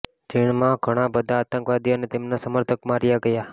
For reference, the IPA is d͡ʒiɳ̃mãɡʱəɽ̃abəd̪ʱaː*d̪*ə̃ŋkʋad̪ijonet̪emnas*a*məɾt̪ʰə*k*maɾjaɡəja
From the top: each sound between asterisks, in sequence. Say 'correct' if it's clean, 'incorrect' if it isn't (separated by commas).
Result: incorrect, incorrect, correct